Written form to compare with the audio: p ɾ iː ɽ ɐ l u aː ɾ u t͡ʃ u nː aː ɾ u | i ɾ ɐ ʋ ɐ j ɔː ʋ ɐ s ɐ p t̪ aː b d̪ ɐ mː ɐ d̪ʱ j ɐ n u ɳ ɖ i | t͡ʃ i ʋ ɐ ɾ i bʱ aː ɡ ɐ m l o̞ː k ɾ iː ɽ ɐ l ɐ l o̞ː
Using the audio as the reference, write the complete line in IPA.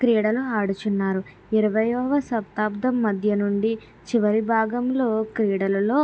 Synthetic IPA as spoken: k ɾ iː ɽ ɐ l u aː ɽ u t͡ʃ u nː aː ɾ u | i ɾ ɐ ʋ ɐ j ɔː ʋ ɐ s ɐ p t̪ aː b d̪ ɐ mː ɐ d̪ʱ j ɐ n u ɳ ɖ i | t͡ʃ i ʋ ɐ ɾ i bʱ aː ɡ ɐ m l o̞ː k ɾ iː ɽ ɐ l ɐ l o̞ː